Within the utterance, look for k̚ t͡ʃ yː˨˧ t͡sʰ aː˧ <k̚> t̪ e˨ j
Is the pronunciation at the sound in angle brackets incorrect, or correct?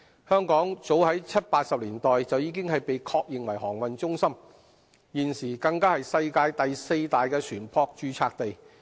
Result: correct